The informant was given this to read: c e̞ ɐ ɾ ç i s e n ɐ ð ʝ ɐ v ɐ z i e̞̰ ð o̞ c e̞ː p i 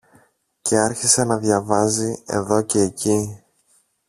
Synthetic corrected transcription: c e̞ ɐ ɾ ç i s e n ɐ ð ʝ ɐ v ɐ z i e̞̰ ð o̞ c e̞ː c i

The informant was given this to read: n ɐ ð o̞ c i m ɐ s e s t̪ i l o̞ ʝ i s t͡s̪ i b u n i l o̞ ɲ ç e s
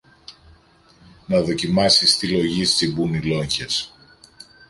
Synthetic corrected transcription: n ɐ ð o̞ c i m ɐ s i s t̪ i l o̞ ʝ i s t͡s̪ i b u n i l o̞ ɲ ç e s

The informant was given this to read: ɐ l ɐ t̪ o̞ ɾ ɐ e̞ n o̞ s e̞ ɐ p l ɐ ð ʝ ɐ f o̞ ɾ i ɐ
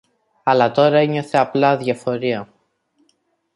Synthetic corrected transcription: ɐ l ɐ t̪ o̞ ɾ ɐ e̞ ɲ o̞ θ e̞ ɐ p l ɐ ð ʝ ɐ f o̞ ɾ i ɐ

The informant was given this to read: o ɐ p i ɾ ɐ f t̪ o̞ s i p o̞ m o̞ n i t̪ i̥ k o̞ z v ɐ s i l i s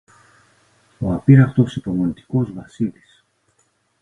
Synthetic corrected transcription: o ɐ p i ɾ ɐ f t̪ o̞ s i p o̞ m o̞ n i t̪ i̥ k o̞ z v ɐ s i l i s

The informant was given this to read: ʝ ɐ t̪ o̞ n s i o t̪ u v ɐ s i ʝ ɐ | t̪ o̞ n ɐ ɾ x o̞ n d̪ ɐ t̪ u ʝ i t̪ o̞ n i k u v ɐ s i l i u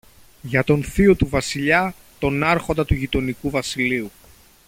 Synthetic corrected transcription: ʝ ɐ t̪ o̞ n θ i o t̪ u v ɐ s i ʎ ɐ | t̪ o̞ n ɐ ɾ x o̞ n d̪ ɐ t̪ u ʝ i t̪ o̞ n i k u v ɐ s i l i u

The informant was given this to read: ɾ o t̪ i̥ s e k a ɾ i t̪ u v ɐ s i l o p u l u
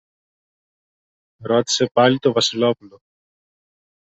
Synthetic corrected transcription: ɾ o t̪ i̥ s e p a l i t̪ o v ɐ s i l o p u l o

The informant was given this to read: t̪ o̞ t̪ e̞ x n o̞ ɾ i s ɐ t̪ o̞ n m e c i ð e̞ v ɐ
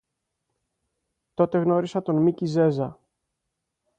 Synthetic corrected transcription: t̪ o̞ t̪ e̞ ɣ n o̞ ɾ i s ɐ t̪ o̞ n m i c i z e̞ z ɐ

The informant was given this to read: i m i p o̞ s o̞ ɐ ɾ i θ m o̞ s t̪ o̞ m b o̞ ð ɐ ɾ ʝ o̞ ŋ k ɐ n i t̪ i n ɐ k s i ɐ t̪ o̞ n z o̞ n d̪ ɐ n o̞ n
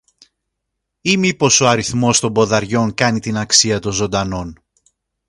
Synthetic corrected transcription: i m i p o̞ s o̞ ɐ ɾ i θ m o̞ s t̪ o̞ m b o̞ ð ɐ ɾ ʝ o̞ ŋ k ɐ n i t̪ i n ɐ k s i ɐ t̪ o̞ n z o̞ n d̪ ɐ n o̞ n

